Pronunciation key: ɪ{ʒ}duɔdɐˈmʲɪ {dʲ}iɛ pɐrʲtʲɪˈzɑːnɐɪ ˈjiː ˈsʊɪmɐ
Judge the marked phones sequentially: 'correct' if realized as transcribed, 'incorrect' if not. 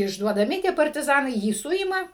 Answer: correct, incorrect

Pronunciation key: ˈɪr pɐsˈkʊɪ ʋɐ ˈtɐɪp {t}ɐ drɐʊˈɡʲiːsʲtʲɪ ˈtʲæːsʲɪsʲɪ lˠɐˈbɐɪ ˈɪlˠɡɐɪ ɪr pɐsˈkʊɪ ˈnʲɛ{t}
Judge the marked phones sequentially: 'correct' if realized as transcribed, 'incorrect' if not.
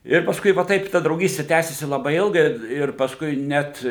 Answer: correct, correct

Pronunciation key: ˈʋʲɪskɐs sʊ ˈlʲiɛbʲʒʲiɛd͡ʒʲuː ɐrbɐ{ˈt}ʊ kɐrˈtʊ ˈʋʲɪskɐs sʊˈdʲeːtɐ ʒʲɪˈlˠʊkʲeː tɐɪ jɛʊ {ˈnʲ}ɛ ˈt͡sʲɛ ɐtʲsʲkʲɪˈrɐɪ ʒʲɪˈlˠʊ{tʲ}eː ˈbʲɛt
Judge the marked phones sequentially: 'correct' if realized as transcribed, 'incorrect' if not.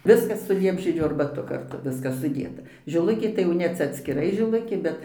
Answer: correct, correct, incorrect

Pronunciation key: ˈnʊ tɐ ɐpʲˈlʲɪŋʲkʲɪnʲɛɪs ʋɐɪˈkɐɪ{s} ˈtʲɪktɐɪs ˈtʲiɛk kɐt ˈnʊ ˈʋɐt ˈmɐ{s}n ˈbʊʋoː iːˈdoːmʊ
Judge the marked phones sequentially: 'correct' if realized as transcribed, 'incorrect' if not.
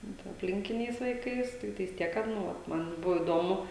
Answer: correct, incorrect

